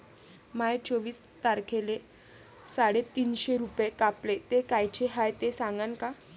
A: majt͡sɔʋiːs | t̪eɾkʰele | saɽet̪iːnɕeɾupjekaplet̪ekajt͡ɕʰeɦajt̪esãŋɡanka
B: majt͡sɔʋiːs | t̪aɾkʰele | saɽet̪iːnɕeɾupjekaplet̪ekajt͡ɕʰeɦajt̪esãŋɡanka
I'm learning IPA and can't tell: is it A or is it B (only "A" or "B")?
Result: B